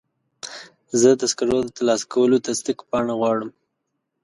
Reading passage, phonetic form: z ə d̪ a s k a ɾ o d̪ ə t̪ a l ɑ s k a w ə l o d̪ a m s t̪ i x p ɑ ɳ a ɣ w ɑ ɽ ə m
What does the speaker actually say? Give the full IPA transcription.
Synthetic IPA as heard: z ə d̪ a s k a ɾ o d̪ ə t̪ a l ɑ s k a w ə l o t̪ a s t̪ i k p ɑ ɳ a ɣ w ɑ ɽ ə m